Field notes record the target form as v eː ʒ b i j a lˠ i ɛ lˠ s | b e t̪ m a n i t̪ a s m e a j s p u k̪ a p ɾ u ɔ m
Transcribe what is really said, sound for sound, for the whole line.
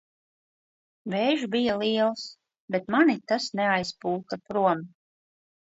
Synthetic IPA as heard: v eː ʒ b i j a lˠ i ɛ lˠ s | b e t̪ m a n i t̪ a s n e a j s p uː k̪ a p ɾ u ɔ m